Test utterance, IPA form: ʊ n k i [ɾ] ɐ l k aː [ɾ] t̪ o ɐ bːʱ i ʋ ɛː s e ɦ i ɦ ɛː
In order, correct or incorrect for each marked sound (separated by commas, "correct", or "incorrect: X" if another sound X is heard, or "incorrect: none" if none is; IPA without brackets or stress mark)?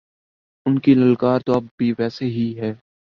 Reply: incorrect: l, correct